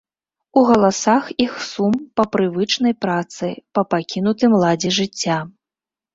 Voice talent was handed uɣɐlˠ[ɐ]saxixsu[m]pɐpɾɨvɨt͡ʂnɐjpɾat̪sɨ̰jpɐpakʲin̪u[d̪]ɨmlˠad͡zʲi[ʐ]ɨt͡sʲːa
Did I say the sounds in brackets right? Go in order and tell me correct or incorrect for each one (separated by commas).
incorrect, correct, incorrect, correct